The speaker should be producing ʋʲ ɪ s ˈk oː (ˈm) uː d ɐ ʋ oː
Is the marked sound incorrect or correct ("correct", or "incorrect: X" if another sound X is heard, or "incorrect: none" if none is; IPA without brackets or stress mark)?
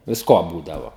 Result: incorrect: b